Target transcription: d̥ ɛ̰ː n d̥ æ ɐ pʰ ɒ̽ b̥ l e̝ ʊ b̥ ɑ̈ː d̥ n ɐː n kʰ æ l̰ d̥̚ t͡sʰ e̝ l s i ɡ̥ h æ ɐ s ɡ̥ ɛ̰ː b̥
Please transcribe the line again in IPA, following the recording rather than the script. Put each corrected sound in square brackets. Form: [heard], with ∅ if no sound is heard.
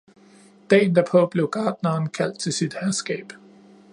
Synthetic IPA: d̥ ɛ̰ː n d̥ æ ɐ pʰ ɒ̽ b̥ l e̝ ʊ [ɡ̥] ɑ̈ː d̥ n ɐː n kʰ æ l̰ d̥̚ t͡sʰ e̝ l s i [d̥] h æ ɐ s ɡ̥ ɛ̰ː b̥